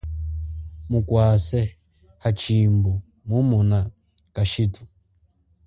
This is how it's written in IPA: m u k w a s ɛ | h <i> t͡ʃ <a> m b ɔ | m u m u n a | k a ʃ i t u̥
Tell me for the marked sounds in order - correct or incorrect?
incorrect, incorrect

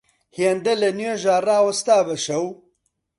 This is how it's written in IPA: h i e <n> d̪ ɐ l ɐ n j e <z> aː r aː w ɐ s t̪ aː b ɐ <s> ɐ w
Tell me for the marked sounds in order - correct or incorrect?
correct, incorrect, incorrect

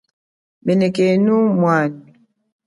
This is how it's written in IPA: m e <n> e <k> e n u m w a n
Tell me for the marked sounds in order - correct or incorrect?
correct, correct

